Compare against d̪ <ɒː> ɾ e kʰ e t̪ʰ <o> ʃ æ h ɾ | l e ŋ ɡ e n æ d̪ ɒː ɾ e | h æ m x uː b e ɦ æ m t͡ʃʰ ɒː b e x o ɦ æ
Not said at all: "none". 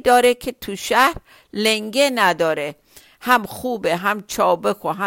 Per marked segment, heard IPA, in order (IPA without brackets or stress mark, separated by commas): ɒː, u